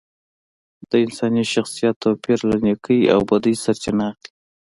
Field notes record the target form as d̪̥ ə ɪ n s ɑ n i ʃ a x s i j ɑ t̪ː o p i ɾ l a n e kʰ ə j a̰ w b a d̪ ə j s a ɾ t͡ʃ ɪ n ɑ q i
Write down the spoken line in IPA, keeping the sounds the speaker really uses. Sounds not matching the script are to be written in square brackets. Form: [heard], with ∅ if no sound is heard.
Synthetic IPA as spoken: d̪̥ ə ɪ n s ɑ n i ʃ a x s i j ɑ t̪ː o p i ɾ l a n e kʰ ə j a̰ w b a d̪ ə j s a ɾ t͡ʃ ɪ n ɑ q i